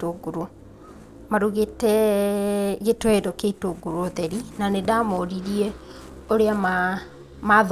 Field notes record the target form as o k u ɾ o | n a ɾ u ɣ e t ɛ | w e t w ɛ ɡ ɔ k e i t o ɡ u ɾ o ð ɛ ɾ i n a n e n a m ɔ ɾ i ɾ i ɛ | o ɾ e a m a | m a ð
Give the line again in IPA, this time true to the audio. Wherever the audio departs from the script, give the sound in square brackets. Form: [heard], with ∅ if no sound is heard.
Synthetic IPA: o [ɡ] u ɾ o | [m] a ɾ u ɣ e t ɛ | [ɣ] e t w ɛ [d] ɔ k e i t o ɡ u ɾ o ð ɛ ɾ i n a n e [d] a m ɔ ɾ i ɾ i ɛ | o ɾ e a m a | m a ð